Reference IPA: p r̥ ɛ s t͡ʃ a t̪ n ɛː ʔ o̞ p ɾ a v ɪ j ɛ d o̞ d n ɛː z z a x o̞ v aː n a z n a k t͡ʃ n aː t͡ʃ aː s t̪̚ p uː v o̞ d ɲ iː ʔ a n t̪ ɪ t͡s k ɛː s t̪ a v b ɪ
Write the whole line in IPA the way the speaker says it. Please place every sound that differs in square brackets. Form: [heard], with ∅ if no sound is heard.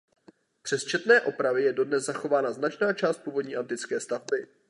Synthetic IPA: p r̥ ɛ s t͡ʃ [ɛ] t̪ n ɛː ʔ o̞ p ɾ a v ɪ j ɛ d o̞ d n [ɛ] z z a x o̞ v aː n a z n a [∅] t͡ʃ n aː t͡ʃ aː s t̪̚ p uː v o̞ d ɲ iː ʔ a n t̪ ɪ t͡s k ɛː s t̪ a v b ɪ